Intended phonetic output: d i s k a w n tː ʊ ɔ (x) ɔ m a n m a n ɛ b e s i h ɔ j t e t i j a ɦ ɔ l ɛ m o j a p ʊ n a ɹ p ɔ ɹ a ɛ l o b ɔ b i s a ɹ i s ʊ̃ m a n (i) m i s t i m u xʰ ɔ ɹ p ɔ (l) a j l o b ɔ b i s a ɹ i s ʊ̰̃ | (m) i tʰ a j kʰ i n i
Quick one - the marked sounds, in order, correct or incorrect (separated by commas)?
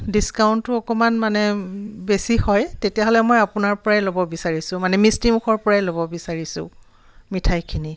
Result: incorrect, incorrect, incorrect, correct